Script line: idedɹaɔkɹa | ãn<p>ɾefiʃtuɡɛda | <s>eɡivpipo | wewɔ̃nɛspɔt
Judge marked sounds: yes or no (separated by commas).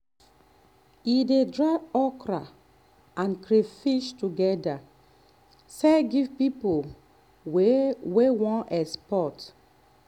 no, yes